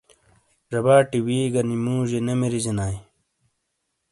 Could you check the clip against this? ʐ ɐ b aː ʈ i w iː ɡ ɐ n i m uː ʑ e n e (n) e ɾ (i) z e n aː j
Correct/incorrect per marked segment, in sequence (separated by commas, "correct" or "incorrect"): incorrect, correct